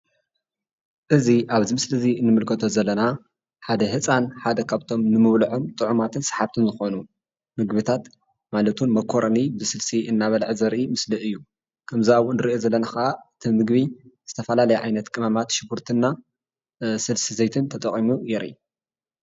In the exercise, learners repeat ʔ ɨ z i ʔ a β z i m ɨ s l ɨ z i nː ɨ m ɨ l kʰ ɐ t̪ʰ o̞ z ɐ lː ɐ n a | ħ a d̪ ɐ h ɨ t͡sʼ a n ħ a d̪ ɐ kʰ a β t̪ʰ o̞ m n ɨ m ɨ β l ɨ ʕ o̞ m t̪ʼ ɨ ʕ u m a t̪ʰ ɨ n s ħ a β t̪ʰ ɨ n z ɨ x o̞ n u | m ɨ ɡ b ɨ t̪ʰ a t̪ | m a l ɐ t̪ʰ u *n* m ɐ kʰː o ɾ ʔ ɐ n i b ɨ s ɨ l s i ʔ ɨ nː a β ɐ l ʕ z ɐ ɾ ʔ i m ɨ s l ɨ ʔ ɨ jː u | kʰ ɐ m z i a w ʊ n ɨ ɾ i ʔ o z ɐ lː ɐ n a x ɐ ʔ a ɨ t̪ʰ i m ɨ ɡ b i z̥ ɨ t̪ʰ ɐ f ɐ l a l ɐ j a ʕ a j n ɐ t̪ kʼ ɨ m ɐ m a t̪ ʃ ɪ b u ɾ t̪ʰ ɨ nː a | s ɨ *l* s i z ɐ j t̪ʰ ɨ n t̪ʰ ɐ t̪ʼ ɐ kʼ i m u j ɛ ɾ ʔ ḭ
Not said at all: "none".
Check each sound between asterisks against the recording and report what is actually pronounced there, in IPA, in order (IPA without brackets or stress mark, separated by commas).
n, l